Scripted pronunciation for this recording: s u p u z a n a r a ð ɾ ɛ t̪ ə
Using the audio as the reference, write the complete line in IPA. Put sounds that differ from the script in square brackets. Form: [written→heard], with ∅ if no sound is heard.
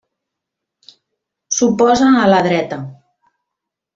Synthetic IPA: s u p [u→ɔ] z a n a [r→l] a ð ɾ ɛ t̪ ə